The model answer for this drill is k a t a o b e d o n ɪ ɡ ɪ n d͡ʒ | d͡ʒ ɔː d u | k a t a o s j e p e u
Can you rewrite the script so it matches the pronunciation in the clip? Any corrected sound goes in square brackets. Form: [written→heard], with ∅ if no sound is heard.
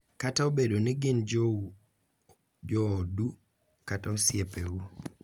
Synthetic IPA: k a t a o b e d o n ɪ ɡ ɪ n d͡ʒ | d͡ʒ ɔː d u | k a t a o s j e p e u